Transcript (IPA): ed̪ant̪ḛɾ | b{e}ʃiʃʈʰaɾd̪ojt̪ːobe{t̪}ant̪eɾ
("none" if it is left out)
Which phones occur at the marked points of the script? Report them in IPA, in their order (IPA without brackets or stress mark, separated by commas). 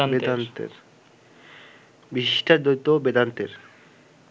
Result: i, d̪